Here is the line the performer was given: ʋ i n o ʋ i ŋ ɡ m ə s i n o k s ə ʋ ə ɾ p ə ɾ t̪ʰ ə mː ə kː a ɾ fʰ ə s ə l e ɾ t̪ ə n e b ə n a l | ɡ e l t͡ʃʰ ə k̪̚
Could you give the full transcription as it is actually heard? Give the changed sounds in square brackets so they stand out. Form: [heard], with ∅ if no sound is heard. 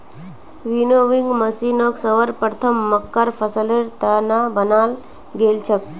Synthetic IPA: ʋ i n o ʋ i ŋ ɡ m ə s i n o k s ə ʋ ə ɾ p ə ɾ t̪ʰ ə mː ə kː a ɾ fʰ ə s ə l e ɾ t̪ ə n [a] b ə n a l | ɡ e l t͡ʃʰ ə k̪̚